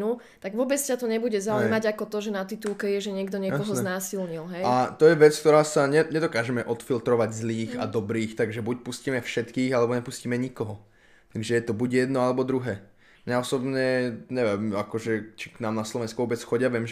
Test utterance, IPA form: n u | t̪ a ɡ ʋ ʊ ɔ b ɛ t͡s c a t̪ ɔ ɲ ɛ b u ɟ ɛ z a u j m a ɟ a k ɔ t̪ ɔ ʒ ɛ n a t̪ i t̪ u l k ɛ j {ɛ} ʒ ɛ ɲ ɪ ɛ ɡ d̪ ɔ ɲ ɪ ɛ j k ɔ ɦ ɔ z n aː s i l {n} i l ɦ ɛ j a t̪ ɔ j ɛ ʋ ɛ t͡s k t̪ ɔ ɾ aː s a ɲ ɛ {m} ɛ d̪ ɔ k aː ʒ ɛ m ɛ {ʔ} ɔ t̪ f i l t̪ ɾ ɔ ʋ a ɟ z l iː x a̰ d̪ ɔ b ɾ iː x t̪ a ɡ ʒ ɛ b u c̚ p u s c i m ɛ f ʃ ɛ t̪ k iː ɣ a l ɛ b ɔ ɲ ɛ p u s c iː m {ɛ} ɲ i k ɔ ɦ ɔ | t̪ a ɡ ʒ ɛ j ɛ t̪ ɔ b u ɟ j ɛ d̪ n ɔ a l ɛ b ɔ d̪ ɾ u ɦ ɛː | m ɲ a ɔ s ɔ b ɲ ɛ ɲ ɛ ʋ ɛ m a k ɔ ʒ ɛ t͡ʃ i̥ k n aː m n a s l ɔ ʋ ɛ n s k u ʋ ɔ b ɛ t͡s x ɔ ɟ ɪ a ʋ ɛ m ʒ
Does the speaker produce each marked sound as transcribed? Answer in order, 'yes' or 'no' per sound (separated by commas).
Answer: yes, no, no, yes, yes